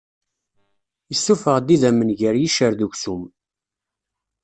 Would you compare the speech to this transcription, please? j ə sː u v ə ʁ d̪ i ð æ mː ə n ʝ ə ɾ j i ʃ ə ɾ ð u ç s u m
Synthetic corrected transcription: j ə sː u f ə ʁ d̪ i ð æ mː ə n ʝ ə ɾ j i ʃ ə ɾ ð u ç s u m